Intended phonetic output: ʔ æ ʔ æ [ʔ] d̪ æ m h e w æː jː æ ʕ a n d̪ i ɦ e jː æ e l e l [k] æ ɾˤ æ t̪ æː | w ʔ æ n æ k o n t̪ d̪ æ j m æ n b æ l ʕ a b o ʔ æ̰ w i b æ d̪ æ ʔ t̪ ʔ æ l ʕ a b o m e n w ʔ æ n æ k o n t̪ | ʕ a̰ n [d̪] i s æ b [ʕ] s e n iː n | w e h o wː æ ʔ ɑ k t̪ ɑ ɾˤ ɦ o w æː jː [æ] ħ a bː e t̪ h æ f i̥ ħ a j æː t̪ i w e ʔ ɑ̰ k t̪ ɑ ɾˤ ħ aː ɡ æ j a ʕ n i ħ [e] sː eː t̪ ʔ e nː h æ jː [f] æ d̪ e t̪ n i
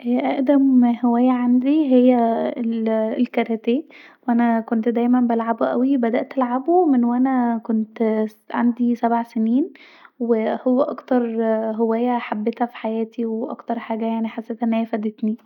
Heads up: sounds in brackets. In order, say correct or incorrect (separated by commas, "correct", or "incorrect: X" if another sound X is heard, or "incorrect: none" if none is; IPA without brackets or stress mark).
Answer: correct, correct, correct, correct, correct, incorrect: a, correct